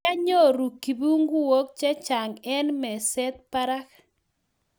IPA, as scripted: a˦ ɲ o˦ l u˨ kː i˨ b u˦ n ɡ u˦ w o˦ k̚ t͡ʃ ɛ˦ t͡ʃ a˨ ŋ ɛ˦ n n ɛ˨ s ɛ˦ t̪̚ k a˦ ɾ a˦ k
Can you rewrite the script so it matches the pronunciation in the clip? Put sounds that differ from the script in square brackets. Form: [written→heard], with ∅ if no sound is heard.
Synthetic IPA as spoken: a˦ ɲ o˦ [l→ɾ] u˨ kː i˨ b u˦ [n→ŋ] ɡ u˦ w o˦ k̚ t͡ʃ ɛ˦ t͡ʃ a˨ ŋ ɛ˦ n [n→m] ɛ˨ s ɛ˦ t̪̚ [k→p] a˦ ɾ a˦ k